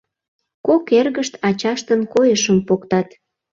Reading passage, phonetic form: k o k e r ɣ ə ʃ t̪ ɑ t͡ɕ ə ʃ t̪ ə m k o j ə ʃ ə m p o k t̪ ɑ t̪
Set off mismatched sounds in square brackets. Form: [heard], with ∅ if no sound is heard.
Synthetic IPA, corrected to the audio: k o k e r ɣ ə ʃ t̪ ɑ t͡ɕ [ɑ] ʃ t̪ ə [n] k o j ə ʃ ə m p o k t̪ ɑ t̪